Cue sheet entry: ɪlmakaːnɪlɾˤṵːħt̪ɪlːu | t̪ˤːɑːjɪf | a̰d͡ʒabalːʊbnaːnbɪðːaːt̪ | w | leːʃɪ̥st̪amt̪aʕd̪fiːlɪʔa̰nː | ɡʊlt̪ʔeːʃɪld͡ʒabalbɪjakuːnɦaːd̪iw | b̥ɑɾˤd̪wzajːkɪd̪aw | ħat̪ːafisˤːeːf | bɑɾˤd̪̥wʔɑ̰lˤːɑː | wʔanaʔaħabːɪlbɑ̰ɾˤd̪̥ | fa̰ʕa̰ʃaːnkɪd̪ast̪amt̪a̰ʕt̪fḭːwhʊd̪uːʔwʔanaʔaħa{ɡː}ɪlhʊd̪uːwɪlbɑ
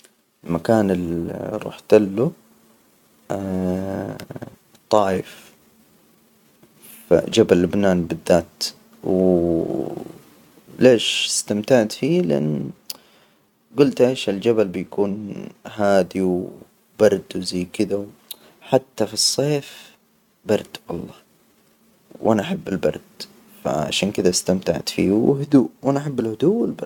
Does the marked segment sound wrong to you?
yes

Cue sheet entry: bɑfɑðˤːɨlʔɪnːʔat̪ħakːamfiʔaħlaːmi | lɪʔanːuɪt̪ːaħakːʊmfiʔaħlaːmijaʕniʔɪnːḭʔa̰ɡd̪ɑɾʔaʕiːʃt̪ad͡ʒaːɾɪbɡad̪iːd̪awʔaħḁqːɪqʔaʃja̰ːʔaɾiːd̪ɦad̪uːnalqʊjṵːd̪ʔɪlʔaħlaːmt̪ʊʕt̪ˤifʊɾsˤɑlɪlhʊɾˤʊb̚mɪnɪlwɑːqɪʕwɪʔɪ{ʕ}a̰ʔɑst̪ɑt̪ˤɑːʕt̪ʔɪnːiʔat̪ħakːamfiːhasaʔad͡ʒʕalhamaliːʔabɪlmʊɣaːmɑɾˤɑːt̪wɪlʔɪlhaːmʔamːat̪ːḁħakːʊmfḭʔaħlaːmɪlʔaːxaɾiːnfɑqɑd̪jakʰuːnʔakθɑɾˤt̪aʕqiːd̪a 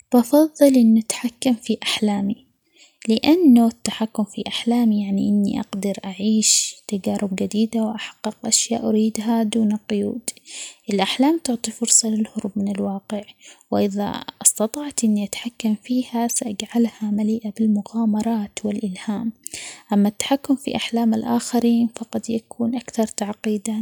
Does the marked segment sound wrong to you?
yes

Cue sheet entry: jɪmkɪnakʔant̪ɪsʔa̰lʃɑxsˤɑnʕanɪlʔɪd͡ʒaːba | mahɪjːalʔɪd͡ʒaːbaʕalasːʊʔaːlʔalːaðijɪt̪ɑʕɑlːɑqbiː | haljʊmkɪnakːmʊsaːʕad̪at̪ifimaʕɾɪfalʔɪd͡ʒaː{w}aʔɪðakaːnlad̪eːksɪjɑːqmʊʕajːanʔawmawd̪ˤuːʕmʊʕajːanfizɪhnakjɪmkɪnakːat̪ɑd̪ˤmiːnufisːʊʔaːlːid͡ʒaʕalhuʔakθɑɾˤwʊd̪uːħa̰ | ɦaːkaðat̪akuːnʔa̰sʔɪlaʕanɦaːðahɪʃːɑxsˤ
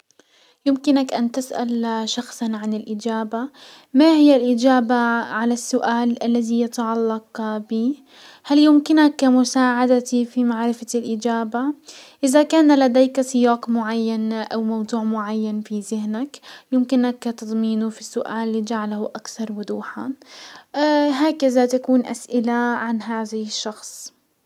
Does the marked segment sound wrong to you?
yes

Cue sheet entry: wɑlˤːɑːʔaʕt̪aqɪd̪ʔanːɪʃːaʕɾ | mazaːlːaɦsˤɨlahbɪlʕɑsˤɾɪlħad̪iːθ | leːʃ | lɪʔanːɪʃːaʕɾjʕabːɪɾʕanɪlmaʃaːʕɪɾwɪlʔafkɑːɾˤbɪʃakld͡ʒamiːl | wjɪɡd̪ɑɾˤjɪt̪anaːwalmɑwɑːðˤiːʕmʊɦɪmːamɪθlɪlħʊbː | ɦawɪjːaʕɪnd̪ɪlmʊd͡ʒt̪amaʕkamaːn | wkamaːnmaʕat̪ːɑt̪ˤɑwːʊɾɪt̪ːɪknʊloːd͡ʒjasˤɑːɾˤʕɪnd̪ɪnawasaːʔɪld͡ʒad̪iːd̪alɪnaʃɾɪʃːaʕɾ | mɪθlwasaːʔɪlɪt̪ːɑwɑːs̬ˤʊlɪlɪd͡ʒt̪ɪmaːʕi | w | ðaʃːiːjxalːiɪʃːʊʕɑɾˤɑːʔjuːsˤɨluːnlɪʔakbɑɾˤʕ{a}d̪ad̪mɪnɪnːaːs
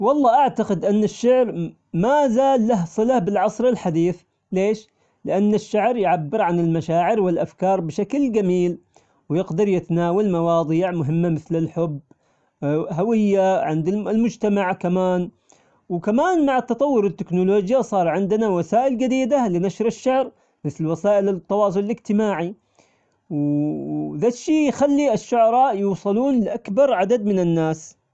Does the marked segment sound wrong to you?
no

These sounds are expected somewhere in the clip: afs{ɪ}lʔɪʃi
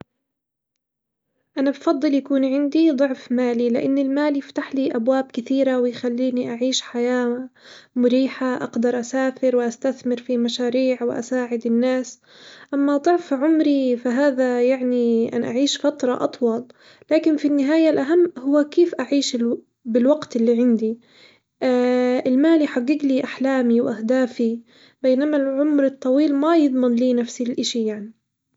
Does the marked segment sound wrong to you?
yes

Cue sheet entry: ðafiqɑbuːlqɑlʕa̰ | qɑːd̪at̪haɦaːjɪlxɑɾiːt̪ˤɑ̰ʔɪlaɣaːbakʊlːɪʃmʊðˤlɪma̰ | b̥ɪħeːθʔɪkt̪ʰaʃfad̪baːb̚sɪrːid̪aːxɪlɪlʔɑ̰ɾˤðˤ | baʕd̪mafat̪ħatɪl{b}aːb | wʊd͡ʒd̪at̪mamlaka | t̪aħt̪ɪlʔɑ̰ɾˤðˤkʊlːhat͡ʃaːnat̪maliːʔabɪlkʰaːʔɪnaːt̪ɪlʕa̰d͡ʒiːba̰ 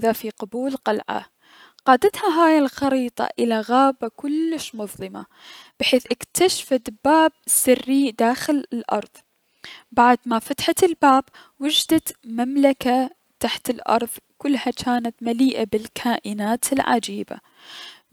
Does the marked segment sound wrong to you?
no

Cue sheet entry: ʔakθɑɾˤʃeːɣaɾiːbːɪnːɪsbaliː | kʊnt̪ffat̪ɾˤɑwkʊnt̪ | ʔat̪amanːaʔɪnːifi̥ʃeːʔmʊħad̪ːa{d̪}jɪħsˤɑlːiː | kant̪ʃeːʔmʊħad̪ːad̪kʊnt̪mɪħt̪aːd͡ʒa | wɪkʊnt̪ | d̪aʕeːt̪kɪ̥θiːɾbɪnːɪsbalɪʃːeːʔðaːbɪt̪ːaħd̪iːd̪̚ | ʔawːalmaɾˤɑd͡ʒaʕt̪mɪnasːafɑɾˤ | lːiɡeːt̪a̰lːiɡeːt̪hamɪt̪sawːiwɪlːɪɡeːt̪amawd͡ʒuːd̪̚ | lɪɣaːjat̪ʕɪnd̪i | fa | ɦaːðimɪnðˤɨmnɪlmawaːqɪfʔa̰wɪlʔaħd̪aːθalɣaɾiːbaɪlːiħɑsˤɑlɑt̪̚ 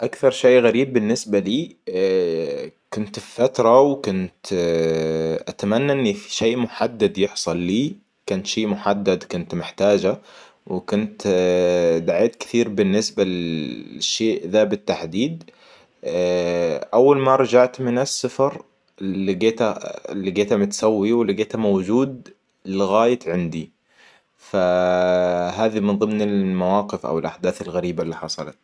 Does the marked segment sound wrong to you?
no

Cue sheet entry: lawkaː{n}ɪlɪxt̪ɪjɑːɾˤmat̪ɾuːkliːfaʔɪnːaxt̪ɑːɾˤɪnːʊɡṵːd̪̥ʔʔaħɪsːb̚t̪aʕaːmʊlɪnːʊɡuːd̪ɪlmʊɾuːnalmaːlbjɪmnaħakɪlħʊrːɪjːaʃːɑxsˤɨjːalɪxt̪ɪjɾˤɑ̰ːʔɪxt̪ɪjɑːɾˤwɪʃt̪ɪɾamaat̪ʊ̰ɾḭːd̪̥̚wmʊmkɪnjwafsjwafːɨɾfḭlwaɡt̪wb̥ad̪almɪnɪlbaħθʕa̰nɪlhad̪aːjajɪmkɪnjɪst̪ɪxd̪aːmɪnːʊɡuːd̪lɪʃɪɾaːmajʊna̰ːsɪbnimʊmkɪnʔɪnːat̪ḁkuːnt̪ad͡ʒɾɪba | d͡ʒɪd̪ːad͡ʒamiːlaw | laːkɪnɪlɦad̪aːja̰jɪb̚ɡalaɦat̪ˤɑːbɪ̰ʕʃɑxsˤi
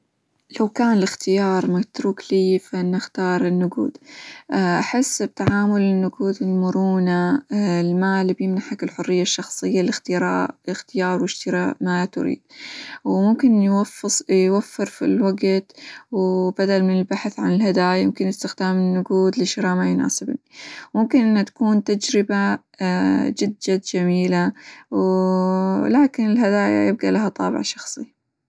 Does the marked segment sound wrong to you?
no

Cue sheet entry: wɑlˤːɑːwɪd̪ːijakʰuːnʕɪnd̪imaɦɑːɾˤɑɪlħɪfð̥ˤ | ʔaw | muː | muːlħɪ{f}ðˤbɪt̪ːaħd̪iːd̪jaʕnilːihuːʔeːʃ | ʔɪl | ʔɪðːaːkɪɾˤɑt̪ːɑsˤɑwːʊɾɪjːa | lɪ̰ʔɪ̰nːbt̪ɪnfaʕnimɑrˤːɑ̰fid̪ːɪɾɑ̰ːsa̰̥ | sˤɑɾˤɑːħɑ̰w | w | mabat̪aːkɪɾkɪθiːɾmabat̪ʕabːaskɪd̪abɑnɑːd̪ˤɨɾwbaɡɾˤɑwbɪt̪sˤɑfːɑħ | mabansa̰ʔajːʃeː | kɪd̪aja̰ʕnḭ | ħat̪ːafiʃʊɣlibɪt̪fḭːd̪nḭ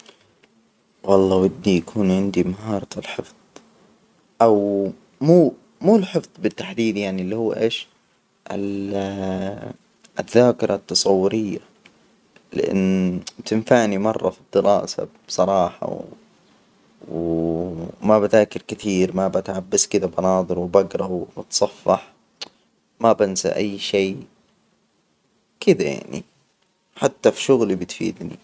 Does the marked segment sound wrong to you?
no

